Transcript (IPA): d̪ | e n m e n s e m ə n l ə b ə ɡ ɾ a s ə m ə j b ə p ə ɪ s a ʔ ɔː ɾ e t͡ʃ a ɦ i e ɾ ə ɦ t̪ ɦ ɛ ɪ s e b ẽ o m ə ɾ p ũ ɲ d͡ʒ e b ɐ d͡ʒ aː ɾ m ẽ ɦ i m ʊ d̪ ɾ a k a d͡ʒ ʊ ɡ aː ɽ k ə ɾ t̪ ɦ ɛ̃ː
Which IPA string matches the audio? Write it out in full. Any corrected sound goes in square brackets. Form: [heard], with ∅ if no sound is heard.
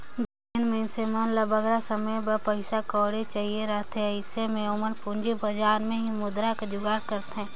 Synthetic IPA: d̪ | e n m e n s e m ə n l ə b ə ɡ ɾ a s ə m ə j b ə p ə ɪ s a [k] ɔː ɾ e t͡ʃ a ɦ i e ɾ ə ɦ t̪ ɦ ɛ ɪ s e [m] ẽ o m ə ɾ p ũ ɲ d͡ʒ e b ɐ d͡ʒ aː ɾ m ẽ ɦ i m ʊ d̪ ɾ a k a d͡ʒ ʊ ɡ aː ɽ k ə ɾ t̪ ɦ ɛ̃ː